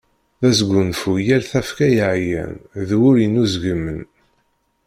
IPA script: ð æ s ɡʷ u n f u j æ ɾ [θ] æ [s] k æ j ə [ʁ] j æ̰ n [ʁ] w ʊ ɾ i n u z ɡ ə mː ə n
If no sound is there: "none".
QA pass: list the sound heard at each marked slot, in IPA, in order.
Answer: θ, f, ʕ, ð

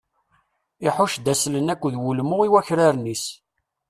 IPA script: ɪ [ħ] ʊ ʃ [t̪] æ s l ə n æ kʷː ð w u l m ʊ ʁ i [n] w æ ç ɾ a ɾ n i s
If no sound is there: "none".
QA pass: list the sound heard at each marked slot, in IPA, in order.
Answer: ħ, d̪, none

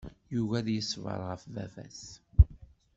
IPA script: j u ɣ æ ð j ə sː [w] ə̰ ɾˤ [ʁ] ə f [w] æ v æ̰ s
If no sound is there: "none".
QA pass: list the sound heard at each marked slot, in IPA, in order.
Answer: v, ʁ, v

